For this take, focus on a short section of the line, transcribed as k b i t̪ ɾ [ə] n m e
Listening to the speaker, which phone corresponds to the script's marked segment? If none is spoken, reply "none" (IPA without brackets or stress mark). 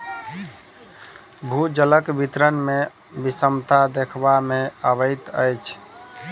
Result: ə